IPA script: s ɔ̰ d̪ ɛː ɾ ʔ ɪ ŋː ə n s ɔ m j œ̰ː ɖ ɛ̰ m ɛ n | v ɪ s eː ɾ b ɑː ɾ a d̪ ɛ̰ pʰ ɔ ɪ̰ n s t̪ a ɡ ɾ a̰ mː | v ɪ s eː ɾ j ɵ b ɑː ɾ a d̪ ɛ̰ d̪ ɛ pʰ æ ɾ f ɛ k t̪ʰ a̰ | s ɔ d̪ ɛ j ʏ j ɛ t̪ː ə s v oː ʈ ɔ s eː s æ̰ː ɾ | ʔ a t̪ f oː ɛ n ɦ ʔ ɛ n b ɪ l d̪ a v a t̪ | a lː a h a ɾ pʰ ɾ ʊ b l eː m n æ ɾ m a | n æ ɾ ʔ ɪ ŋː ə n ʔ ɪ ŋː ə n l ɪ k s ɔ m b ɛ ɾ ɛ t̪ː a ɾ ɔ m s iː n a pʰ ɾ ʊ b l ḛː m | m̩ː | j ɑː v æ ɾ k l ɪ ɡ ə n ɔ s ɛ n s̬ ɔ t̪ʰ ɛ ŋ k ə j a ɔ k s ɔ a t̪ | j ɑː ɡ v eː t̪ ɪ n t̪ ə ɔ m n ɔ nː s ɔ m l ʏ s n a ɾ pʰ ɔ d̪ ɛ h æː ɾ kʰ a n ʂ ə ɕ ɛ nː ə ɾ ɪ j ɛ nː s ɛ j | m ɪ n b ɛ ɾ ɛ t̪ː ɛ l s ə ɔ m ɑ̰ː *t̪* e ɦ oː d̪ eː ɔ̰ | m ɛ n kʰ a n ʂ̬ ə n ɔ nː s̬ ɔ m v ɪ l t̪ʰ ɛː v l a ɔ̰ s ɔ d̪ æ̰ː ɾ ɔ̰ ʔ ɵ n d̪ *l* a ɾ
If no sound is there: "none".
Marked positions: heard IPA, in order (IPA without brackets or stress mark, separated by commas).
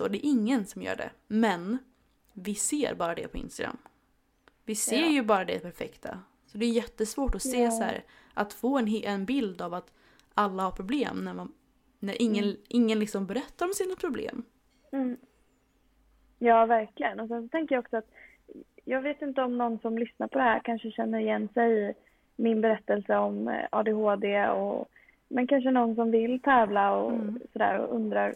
d̪, ɾ